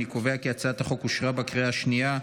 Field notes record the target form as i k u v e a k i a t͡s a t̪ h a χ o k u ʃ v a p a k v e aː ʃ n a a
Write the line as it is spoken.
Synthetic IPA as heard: i k o v e a k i a t͡s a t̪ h a χ o k u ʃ ʁ a b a k ʁ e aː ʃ n i a